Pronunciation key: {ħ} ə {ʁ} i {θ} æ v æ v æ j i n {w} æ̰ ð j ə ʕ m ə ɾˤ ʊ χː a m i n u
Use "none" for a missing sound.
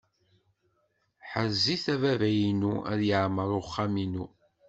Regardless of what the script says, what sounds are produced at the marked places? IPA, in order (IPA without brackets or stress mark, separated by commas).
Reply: ħ, z, θ, u